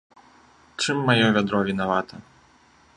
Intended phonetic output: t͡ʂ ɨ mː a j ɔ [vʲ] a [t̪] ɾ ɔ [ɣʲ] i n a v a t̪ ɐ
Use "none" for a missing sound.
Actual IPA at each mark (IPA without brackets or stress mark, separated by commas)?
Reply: vʲ, d̪, vʲ